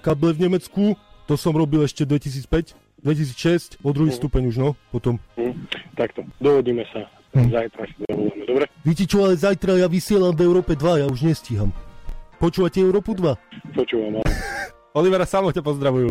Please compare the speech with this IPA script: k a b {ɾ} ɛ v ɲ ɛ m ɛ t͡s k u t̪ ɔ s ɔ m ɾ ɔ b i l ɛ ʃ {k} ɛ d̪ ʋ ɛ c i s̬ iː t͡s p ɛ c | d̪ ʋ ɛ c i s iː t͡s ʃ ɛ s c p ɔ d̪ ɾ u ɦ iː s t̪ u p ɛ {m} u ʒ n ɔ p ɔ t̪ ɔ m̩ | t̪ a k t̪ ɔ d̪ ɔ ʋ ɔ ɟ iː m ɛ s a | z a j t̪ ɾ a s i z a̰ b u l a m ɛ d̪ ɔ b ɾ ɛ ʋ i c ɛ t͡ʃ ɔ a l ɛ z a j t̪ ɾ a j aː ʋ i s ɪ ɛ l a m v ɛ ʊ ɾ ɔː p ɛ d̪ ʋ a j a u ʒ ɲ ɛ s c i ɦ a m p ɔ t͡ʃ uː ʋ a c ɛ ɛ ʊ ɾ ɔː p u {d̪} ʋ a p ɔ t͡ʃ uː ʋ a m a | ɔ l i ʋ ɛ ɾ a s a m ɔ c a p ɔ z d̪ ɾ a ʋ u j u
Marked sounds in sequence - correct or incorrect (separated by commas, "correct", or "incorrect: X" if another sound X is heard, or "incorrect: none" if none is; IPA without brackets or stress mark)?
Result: incorrect: l, incorrect: c, incorrect: ɲ, correct